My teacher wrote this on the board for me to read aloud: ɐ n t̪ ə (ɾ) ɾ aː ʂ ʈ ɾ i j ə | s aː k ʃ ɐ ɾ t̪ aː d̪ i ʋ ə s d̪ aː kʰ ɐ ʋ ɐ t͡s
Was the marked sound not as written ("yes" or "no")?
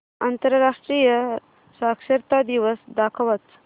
no